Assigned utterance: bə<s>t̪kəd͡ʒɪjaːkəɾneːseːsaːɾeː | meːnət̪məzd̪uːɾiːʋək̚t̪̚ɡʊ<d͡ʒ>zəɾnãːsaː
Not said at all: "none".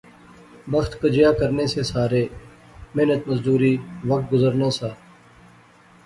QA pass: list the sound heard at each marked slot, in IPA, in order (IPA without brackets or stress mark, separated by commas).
x, none